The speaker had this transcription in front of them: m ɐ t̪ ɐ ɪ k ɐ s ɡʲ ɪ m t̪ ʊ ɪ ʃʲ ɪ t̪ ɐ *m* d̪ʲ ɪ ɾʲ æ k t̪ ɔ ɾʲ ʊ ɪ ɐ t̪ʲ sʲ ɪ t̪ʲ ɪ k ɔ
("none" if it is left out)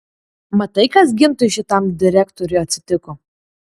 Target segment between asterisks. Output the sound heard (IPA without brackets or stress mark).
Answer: m